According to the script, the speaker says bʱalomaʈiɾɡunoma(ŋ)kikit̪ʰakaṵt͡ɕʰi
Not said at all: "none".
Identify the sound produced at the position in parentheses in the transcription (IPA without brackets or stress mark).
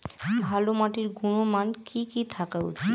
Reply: n